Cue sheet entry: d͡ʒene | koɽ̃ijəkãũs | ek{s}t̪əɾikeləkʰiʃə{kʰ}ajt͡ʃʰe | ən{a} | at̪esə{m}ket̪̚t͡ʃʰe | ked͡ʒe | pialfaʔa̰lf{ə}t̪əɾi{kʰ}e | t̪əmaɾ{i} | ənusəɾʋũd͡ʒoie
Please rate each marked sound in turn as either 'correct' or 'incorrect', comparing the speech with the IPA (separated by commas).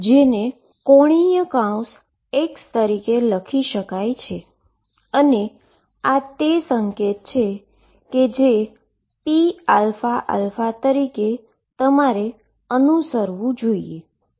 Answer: correct, incorrect, incorrect, incorrect, incorrect, incorrect, incorrect